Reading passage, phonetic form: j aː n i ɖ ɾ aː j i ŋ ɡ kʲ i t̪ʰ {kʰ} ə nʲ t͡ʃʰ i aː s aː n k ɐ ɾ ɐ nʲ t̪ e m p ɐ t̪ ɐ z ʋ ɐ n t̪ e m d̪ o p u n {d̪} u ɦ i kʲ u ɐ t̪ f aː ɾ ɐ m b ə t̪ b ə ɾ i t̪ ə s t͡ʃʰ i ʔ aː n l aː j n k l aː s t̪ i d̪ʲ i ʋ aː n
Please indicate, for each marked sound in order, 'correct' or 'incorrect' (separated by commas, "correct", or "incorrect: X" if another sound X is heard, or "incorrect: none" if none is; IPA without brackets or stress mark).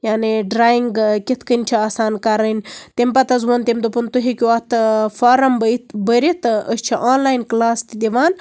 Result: incorrect: k, incorrect: t̪